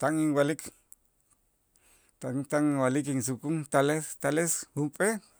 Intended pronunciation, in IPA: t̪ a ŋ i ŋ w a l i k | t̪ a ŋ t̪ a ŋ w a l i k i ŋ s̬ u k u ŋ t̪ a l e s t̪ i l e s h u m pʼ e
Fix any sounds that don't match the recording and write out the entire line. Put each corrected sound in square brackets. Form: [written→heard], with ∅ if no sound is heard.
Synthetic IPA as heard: t̪ a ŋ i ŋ w a l i k | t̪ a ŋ t̪ a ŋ w a l i k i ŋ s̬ u k u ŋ t̪ a l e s t̪ [i→a] l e s h u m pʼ e

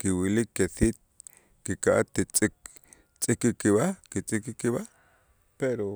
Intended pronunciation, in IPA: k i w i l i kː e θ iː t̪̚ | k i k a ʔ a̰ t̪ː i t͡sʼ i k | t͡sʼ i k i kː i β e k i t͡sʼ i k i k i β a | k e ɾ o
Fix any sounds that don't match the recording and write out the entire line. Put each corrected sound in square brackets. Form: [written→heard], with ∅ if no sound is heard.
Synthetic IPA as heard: k i w i l i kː e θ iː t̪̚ | k i k a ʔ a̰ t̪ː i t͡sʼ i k | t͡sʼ i k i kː i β [e→a] k i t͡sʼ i k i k i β a | [k→p] e ɾ o

